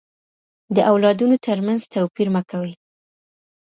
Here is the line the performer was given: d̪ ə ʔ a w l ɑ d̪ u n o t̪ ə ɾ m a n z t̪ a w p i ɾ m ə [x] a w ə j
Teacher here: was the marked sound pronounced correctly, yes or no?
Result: no